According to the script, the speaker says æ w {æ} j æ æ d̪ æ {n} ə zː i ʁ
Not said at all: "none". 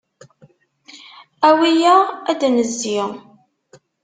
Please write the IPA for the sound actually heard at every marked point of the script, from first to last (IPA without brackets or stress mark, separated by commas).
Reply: i, n